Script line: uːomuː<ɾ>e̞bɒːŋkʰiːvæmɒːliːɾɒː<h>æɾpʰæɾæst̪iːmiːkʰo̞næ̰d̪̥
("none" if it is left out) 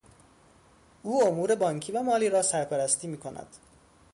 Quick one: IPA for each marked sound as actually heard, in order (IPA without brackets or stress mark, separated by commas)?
ɾ, s